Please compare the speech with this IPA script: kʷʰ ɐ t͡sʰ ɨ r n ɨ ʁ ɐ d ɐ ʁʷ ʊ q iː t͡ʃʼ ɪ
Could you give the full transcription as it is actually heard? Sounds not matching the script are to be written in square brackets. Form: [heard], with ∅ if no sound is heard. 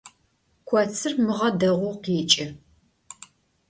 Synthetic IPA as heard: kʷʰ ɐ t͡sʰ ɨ r [m] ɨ ʁ ɐ d ɐ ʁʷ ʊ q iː t͡ʃʼ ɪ